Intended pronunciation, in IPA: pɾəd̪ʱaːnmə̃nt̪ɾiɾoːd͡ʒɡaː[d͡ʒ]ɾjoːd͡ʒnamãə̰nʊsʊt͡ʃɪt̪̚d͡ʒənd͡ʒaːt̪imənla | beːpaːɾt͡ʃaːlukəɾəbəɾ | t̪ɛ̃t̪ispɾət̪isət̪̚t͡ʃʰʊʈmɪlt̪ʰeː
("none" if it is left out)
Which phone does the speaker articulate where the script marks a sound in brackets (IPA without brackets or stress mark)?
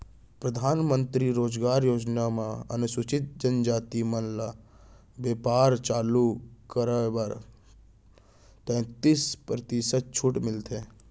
none